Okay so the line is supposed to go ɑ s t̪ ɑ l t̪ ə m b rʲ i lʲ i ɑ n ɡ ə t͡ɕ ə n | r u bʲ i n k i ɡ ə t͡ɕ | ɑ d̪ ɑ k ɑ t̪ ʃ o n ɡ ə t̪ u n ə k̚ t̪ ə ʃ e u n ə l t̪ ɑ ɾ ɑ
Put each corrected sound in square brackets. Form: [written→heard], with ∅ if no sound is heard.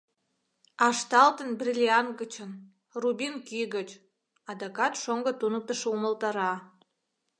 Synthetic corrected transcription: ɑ [s→ʃ] t̪ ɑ l t̪ ə [m→n] b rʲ i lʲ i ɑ n ɡ ə t͡ɕ ə n | r u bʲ i n k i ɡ ə t͡ɕ | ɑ d̪ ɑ k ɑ t̪ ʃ o [n→ŋ] ɡ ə t̪ u n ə k̚ t̪ ə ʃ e u [n→m] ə l t̪ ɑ ɾ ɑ